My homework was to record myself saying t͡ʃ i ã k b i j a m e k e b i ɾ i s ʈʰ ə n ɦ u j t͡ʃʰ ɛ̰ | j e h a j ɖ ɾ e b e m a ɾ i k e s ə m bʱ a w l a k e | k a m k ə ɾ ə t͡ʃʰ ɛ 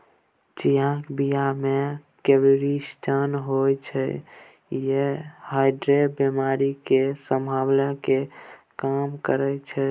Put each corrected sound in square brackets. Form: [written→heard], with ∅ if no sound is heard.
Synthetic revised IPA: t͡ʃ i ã k b i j a m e k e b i ɾ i s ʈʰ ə n ɦ [u→o] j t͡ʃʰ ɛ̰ | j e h a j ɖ ɾ e b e m a ɾ i k e s ə m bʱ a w l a k e | k a m k ə ɾ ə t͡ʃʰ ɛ